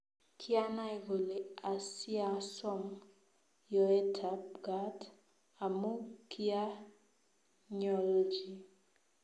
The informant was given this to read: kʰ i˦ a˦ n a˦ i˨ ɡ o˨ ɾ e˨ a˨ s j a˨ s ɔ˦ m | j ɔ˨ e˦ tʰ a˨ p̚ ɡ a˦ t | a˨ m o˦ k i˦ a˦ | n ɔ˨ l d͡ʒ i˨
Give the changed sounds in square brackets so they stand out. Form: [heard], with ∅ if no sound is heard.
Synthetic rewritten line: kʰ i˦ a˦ n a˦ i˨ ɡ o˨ [l] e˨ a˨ s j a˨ s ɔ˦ m | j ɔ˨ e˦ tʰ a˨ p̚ ɡ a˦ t | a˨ m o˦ k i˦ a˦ | [ɲ] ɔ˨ l d͡ʒ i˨